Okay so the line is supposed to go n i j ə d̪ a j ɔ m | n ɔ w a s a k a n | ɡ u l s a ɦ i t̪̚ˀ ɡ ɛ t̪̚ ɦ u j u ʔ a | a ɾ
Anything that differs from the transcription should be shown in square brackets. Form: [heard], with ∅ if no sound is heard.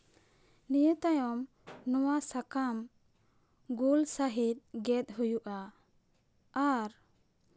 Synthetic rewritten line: n i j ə [t̪] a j ɔ m | n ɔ w a s a k a [m] | ɡ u l s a ɦ i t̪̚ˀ ɡ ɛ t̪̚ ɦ u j u ʔ a | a ɾ